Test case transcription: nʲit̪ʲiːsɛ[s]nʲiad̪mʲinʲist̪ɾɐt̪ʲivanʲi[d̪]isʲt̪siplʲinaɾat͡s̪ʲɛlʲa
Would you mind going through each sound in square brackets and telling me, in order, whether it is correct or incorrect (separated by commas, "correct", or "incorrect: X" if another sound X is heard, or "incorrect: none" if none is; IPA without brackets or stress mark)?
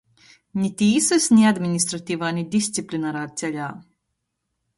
correct, correct